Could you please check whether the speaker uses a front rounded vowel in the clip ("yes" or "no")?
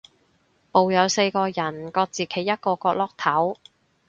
no